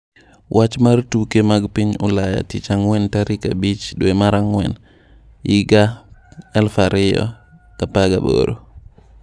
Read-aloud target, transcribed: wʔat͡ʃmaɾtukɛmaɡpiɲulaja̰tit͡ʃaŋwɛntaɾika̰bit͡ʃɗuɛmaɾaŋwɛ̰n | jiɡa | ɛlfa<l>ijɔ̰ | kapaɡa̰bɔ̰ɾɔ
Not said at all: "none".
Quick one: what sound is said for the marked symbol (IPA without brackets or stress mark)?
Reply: ɾ